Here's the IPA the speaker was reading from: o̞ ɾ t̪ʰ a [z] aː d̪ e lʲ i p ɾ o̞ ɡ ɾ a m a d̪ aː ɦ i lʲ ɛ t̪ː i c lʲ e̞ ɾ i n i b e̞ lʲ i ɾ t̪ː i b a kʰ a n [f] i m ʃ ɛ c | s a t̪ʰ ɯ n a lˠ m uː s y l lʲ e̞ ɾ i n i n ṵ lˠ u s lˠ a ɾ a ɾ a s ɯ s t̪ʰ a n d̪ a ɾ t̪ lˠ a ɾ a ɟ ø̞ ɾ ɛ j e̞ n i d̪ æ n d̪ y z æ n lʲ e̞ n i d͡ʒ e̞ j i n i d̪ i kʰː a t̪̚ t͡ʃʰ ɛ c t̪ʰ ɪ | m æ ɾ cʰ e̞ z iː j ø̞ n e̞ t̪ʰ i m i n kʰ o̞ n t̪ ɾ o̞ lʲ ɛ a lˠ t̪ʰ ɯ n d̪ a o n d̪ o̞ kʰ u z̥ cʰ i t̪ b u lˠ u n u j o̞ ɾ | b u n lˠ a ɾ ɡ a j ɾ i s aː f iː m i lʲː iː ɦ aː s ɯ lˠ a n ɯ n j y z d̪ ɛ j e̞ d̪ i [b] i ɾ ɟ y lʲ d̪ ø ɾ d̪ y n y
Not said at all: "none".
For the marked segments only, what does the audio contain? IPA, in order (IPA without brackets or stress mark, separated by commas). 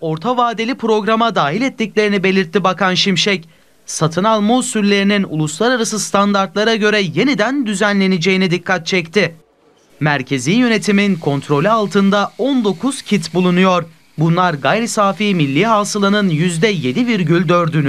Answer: v, ʃ, v